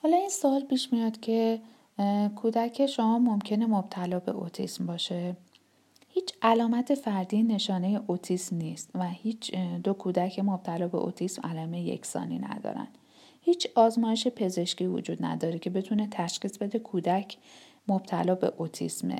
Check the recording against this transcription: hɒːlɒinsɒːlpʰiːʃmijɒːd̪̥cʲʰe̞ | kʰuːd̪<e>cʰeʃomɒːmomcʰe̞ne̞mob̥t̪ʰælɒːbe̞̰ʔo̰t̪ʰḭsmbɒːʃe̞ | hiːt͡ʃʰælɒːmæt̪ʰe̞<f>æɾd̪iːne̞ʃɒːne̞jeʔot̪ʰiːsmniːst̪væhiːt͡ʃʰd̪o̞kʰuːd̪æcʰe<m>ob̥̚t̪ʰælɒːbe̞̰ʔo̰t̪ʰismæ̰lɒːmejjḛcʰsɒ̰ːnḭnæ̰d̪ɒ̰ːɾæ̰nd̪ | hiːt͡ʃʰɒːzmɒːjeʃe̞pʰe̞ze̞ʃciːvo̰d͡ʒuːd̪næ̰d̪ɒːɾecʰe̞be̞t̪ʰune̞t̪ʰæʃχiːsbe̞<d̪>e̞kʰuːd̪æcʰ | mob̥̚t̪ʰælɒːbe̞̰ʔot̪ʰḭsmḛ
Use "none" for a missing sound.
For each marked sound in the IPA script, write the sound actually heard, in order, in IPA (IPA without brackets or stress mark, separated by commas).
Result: æ, f, m, d̪